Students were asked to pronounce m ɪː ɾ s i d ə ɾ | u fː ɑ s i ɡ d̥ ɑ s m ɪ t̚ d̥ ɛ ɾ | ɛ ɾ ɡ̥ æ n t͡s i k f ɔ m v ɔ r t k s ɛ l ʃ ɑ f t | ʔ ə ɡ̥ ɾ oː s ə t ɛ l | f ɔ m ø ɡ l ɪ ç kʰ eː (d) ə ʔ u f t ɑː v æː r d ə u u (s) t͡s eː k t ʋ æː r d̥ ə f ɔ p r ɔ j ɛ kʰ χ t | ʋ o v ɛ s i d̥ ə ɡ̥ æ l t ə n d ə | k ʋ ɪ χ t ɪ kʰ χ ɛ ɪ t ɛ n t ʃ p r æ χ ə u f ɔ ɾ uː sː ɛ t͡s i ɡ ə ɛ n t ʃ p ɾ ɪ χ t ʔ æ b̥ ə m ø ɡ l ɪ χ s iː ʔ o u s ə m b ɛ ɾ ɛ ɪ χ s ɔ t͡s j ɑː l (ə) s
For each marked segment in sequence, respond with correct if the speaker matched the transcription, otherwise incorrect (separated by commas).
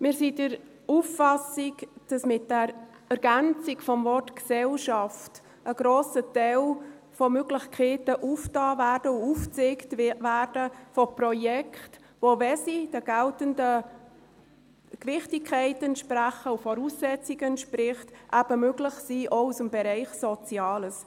incorrect, incorrect, correct